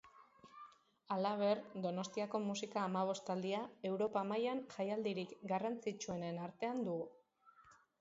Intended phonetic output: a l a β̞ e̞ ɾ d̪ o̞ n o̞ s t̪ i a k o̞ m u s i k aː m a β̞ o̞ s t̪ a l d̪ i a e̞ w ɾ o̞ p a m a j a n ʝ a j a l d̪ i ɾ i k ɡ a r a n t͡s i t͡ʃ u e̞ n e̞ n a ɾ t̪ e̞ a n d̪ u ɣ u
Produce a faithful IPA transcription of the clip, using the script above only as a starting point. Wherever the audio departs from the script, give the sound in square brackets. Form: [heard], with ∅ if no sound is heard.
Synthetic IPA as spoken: a l a β̞ e̞ ɾ d̪ o̞ n o̞ s t̪ i a k o̞ m u s i k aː m a β̞ o̞ s t̪ a l d̪ i a e̞ w ɾ o̞ p a m a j a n ʝ a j a l d̪ i ɾ i k ɡ a r a n t͡s i t͡ʃ u e̞ n e̞ n a ɾ t̪ e̞ a n d̪ u ɣ u